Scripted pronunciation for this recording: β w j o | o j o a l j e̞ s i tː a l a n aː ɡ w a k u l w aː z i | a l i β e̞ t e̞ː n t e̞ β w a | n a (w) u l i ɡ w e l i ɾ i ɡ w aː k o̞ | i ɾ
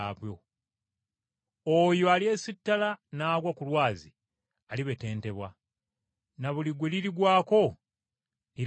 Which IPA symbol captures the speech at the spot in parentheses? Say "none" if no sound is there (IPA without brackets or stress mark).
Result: β